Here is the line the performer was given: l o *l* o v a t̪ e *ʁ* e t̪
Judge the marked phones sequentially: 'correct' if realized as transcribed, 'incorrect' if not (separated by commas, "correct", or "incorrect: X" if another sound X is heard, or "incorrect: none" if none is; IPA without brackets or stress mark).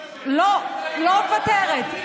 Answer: correct, correct